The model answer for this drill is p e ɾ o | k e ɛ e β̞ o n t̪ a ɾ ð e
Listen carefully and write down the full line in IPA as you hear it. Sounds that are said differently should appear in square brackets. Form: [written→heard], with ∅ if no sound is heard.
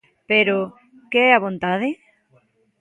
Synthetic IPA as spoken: p e ɾ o | k e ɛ [e→a] β̞ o n t̪ a [ɾ→∅] ð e